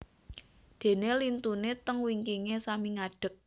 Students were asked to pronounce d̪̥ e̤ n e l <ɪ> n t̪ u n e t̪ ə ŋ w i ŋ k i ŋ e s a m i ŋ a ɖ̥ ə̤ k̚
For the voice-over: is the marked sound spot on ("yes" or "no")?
no